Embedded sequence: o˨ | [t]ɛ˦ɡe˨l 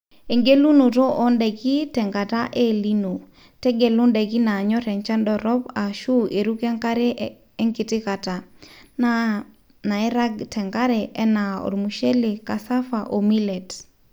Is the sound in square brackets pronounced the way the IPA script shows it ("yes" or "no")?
yes